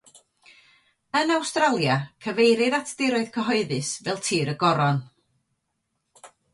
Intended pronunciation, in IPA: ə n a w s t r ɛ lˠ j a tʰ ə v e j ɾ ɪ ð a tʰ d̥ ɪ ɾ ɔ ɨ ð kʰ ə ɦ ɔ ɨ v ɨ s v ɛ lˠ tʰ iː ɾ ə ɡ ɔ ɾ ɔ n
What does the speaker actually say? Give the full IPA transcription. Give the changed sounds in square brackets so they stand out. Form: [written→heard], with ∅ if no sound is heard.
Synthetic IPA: ə n a w s t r [ɛ→a] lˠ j a [tʰ→kʰ] ə v e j ɾ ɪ ð a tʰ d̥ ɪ ɾ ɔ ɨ ð kʰ ə ɦ ɔ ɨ [v→ð] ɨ s v ɛ lˠ tʰ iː ɾ ə ɡ ɔ ɾ ɔ n